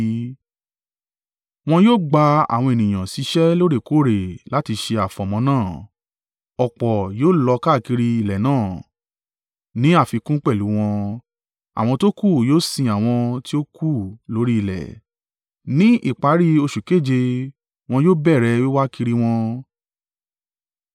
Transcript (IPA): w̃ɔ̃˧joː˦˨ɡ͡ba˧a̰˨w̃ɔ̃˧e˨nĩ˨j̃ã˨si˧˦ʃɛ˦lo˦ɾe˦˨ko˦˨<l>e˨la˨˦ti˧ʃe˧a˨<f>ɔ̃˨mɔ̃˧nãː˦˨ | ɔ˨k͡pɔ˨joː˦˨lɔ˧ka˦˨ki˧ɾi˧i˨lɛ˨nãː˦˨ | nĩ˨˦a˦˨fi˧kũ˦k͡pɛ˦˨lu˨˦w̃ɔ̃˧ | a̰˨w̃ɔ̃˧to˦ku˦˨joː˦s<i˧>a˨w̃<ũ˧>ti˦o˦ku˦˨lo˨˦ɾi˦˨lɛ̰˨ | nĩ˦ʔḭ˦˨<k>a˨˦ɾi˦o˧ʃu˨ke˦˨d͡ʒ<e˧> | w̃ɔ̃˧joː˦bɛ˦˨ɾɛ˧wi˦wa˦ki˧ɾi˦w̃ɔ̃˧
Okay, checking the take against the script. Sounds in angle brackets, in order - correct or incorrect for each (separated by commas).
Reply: incorrect, correct, incorrect, incorrect, incorrect, correct